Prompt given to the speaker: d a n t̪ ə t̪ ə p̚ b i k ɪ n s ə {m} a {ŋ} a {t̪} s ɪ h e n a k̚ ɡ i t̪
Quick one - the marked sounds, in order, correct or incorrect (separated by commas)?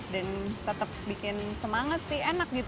correct, correct, correct